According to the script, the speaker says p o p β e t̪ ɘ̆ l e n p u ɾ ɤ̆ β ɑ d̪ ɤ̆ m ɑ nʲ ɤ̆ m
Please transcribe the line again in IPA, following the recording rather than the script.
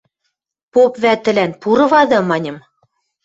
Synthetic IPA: p o p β æ t̪ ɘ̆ l æ n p u ɾ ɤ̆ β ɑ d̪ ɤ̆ m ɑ nʲ ɤ̆ m